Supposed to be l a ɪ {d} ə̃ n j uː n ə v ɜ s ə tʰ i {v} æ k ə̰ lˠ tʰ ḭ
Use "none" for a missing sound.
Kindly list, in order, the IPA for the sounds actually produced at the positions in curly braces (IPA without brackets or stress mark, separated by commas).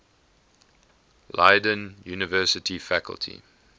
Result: d, f